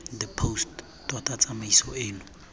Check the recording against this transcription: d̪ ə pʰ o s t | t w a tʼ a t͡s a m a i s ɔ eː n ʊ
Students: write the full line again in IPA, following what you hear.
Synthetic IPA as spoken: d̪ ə pʰ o s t | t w a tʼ a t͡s a m a i s ɔ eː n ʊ